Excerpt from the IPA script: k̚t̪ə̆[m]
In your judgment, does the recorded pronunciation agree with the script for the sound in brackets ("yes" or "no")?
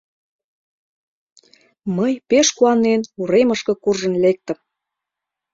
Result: yes